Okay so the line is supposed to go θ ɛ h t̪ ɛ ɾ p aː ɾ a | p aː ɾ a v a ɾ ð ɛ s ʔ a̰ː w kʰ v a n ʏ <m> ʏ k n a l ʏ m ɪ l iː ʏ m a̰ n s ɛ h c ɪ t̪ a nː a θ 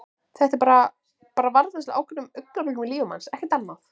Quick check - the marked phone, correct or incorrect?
correct